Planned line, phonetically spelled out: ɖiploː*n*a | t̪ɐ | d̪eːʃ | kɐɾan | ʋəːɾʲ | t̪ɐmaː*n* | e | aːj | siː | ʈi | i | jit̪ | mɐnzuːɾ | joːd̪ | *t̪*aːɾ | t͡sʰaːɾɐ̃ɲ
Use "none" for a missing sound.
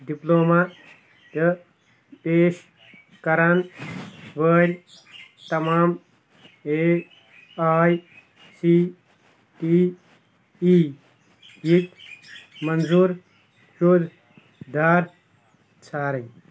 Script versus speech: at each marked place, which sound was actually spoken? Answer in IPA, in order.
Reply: m, m, d̪

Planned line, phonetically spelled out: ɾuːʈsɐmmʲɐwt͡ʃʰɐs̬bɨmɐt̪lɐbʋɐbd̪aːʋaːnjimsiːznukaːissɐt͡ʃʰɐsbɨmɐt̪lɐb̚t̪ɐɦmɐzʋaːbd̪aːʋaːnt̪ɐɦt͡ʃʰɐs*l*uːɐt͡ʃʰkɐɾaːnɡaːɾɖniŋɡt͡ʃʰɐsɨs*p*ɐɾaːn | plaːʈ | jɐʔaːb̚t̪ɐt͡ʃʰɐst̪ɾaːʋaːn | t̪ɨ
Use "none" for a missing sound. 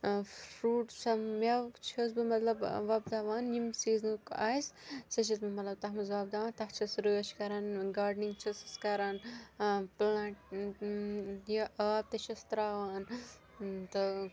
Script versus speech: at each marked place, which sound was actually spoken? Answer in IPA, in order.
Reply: ɾ, k

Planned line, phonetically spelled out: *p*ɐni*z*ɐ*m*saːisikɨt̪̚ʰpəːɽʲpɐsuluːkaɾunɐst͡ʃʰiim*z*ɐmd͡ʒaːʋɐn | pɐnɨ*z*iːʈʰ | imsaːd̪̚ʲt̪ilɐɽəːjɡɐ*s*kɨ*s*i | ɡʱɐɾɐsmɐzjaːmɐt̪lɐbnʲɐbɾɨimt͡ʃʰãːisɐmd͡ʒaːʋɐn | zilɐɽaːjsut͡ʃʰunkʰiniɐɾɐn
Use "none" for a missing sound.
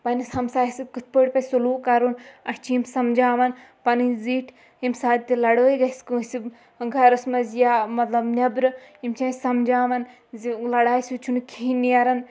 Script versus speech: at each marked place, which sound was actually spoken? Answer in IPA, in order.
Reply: p, s, m, s, z, s, s

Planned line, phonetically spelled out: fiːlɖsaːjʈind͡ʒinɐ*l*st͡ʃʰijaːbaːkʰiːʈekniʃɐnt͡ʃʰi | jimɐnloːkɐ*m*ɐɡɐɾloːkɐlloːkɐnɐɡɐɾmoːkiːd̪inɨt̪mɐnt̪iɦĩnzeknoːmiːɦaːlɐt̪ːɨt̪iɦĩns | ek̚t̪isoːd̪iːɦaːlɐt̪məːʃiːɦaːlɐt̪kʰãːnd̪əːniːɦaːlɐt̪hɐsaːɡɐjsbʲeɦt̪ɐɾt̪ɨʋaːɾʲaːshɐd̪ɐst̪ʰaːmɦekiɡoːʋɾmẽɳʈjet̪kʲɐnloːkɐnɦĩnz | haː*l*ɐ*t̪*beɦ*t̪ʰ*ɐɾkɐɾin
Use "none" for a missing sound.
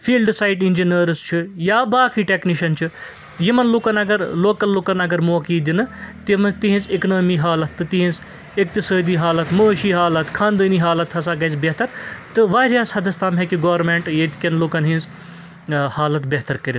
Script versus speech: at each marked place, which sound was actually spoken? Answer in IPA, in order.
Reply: ɾ, n, l, t̪, t̪

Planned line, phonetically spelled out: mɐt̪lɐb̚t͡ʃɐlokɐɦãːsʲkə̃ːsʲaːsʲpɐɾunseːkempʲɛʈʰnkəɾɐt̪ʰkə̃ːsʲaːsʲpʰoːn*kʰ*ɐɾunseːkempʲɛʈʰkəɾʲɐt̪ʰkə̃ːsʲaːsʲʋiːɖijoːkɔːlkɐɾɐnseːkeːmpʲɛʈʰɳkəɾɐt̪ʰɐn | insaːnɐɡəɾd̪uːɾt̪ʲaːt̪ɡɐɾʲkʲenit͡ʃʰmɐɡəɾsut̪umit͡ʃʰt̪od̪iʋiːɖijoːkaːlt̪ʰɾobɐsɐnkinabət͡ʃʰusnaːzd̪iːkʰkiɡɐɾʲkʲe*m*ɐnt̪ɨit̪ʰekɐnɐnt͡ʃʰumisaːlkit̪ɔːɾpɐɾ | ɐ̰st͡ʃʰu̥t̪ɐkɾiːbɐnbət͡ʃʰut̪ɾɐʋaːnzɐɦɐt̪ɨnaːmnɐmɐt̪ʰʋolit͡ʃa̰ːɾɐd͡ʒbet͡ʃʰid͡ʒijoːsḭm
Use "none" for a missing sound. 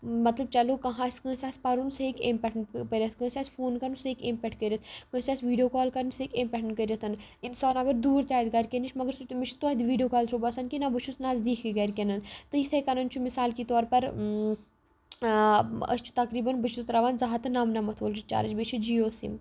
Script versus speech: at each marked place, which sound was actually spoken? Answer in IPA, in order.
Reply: k, n

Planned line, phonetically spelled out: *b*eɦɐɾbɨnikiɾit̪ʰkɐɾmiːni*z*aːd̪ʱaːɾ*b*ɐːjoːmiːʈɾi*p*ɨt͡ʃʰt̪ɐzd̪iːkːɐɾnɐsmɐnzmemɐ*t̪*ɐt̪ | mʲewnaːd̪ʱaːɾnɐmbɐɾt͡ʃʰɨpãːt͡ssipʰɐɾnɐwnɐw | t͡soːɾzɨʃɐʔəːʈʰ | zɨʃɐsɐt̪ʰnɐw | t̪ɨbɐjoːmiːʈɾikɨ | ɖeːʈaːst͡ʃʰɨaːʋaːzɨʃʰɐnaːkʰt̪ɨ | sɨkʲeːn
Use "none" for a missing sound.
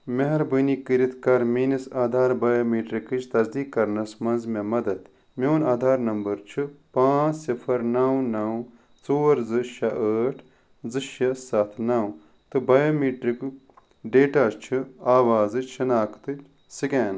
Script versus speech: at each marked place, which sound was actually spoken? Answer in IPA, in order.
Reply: m, s, b, k, d̪

